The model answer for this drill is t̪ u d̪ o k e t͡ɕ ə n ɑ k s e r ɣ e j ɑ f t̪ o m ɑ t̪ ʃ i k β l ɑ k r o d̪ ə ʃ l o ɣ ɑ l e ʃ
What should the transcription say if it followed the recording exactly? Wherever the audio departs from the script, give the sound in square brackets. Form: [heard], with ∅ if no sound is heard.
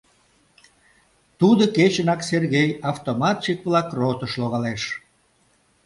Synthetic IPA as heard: t̪ u d̪ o k e t͡ɕ ə n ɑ k s e r ɣ e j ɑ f t̪ o m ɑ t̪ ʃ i k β l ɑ k r o [t̪] ə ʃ l o ɣ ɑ l e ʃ